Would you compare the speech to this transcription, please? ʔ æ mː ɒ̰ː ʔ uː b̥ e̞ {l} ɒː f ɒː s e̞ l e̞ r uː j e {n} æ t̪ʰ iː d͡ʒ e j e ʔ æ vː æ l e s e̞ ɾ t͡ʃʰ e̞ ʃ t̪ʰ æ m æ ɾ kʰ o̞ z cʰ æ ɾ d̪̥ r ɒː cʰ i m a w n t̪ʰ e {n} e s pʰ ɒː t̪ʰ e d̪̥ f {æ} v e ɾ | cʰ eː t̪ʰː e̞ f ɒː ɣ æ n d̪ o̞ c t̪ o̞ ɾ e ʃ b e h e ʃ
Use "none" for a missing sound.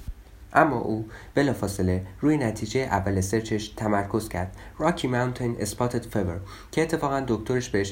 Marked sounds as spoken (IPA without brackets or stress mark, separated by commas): l, n, n, e